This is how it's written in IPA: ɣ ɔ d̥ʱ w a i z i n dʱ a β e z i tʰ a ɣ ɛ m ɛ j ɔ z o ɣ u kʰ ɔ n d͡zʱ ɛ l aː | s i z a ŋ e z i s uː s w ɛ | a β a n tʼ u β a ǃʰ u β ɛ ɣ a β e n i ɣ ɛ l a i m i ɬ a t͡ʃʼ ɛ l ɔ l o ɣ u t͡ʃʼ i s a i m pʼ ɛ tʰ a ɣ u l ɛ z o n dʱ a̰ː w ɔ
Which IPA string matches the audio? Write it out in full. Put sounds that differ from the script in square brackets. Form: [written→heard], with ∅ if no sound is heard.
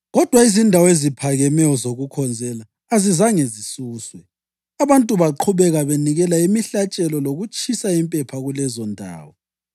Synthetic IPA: ɣ ɔ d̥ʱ w a i z i n dʱ a [β→w] e z i [tʰ→pʰ] a ɣ ɛ m ɛ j ɔ z o ɣ u kʰ ɔ n d͡zʱ ɛ l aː | [s→z] i z a ŋ e z i s uː s w ɛ | a β a n tʼ u β a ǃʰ u β ɛ ɣ a β e n i ɣ ɛ l a i m i ɬ a t͡ʃʼ ɛ l ɔ l o ɣ u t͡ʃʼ i s a i m pʼ ɛ [tʰ→pʰ] a ɣ u l ɛ z [o→ɔ] n dʱ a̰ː w ɔ